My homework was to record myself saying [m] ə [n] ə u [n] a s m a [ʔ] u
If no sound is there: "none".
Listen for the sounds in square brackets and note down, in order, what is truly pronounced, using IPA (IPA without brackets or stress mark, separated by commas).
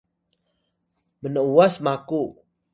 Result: m, n, none, k